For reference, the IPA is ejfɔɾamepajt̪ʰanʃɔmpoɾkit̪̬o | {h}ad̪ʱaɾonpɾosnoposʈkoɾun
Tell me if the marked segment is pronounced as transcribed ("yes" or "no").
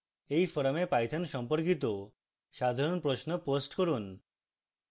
no